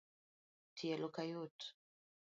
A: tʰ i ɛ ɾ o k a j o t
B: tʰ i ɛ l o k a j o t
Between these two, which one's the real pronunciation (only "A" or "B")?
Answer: B